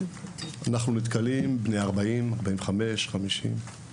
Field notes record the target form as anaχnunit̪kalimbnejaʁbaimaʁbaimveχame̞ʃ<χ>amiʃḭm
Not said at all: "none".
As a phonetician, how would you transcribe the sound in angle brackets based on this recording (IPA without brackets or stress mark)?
χ